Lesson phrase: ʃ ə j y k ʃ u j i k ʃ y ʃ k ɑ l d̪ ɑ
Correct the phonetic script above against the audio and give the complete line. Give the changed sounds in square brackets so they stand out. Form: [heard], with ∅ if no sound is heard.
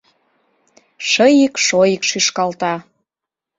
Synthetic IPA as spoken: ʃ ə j [i] k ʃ [o] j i k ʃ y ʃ k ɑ l [t̪] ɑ